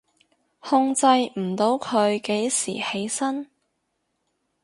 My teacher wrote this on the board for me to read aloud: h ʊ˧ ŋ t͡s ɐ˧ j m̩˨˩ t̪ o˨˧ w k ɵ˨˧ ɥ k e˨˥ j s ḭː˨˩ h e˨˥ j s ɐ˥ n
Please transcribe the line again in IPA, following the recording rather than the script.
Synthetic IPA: h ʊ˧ ŋ t͡s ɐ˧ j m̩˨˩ t̪ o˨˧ w kʰ ɵ˨˧ ɥ k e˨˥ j s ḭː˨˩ h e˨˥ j s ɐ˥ n

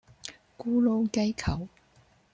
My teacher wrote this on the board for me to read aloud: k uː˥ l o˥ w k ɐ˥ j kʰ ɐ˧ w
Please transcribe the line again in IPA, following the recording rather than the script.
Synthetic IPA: k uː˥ l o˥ w k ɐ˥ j kʰ ɐ˨˩ w

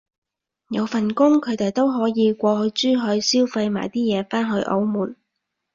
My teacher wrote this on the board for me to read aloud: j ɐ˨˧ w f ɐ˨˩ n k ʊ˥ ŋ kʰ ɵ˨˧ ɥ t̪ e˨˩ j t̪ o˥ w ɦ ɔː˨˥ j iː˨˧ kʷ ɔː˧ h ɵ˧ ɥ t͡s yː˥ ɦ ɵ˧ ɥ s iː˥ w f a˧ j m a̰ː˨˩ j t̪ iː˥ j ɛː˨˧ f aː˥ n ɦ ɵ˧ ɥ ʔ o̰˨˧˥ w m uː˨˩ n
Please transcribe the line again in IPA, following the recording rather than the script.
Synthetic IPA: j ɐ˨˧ w f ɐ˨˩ n k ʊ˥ ŋ kʰ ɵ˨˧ ɥ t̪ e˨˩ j t̪ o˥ w ɦ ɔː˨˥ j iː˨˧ kʷ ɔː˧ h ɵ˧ ɥ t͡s yː˥ ɦ ɵ˧ ɥ s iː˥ w f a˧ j m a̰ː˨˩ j t̪ iː˥ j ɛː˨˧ f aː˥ n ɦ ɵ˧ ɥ ʔ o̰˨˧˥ w m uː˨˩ n

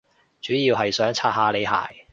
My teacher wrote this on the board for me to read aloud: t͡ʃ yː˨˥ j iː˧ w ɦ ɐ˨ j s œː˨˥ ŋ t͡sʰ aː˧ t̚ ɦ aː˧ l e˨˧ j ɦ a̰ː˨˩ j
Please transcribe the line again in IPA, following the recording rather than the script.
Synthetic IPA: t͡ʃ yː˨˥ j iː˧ w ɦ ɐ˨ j s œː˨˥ ŋ t͡sʰ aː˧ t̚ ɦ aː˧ l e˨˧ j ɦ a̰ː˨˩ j

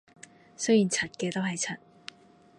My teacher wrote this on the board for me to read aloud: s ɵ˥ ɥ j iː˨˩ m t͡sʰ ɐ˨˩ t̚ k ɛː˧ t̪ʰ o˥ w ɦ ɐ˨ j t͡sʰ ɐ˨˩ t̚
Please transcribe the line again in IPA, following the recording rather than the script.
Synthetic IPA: s ɵ˥ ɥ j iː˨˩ n t͡sʰ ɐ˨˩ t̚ k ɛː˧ t̪ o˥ w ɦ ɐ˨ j t͡sʰ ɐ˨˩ t̚

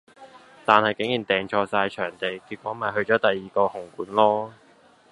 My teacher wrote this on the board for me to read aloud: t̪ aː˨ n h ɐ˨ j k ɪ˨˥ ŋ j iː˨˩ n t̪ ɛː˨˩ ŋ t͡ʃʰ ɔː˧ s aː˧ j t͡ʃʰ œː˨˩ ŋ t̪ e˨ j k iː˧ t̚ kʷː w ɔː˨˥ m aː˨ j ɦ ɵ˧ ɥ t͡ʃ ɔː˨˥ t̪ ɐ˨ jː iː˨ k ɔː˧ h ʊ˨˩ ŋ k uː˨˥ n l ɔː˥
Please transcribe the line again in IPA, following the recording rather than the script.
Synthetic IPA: t̪ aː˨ n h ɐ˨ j k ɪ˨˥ ŋ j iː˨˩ n t̪ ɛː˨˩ ŋ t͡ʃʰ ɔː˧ s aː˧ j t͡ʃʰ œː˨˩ ŋ t̪ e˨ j k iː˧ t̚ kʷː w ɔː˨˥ m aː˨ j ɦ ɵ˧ ɥ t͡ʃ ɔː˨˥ t̪ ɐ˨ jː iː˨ k ɔː˧ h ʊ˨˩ ŋ k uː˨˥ n l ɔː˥

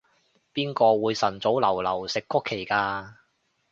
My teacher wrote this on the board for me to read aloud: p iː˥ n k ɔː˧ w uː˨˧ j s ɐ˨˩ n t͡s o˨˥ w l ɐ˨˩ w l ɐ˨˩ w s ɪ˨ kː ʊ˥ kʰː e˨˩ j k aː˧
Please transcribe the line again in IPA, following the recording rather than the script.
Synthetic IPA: p iː˥ n k ɔː˧ w uː˨˧ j s ɐ˨˩ n t͡s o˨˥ w l ɐ˨˩ w l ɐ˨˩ w s ɪ˨ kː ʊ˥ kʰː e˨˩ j k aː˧

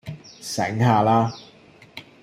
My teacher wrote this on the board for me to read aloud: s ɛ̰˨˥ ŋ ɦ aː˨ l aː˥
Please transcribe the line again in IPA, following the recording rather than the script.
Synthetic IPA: s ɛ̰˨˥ ŋ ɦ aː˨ l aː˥

